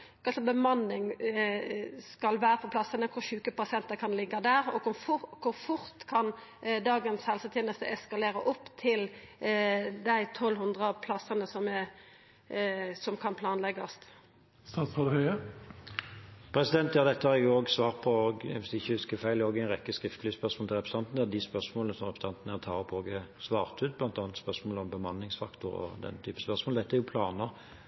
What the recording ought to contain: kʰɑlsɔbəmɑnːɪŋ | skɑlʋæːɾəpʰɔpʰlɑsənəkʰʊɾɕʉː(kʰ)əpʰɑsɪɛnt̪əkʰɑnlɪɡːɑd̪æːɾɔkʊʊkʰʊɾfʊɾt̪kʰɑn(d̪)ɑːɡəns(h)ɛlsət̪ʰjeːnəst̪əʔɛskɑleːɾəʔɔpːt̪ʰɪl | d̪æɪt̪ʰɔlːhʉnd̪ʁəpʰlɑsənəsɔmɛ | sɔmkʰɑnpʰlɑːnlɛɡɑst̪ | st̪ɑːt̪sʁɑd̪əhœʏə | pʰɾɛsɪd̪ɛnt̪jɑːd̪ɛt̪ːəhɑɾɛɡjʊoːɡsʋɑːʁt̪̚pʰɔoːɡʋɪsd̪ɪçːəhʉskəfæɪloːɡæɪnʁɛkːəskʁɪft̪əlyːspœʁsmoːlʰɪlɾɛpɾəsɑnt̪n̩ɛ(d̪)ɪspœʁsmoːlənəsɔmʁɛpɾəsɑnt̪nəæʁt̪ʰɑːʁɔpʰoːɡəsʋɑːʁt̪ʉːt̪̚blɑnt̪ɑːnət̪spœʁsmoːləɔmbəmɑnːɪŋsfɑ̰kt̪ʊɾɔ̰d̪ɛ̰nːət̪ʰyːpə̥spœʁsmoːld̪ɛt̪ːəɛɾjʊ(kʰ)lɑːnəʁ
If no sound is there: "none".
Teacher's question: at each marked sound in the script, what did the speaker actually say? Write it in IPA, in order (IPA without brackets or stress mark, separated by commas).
k, d̪, h, d̪, pʰ